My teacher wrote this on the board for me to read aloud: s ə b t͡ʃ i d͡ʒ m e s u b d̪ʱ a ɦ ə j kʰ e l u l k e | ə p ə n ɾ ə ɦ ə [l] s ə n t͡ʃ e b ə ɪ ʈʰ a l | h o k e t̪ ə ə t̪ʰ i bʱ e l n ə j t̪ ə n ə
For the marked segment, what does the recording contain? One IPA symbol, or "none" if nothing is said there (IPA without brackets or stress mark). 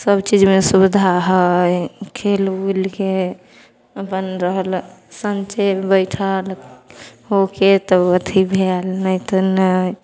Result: l